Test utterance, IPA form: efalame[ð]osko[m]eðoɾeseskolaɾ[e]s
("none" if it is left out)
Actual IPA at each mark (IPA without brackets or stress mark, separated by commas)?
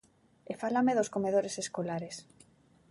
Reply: ð, m, e